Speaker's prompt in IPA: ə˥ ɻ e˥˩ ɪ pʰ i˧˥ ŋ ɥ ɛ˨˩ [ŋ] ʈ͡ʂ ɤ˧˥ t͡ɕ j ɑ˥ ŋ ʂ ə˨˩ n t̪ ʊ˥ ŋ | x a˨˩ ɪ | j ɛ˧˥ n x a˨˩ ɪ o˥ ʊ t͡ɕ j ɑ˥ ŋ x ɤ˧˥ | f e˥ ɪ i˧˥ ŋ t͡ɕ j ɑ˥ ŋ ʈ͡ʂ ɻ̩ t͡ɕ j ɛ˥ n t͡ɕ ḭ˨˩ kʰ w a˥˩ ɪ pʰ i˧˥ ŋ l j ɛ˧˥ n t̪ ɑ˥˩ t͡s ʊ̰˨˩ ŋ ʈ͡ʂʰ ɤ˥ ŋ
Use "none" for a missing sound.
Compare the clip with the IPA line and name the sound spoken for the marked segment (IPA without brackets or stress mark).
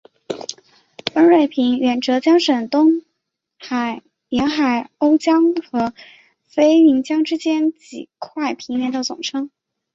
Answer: n